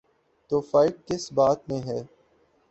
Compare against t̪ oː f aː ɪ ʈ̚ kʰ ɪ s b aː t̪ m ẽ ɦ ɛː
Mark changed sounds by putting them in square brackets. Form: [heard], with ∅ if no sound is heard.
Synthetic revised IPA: t̪ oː f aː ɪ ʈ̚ [k] ɪ s b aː t̪ m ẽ ɦ ɛː